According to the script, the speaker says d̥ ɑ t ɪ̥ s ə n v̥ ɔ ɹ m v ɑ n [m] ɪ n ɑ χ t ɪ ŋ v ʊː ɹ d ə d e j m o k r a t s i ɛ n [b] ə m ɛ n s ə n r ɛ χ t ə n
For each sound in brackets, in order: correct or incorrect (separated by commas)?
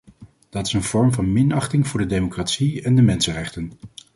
correct, incorrect